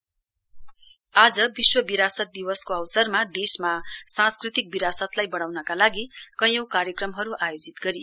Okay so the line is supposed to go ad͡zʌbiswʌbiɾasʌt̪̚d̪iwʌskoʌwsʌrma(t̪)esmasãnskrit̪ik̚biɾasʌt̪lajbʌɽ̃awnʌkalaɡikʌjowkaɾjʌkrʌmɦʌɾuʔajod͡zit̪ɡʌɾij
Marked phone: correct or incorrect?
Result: incorrect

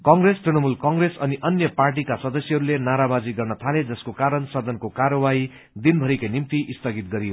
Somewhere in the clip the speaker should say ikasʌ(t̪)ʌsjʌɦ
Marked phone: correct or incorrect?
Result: incorrect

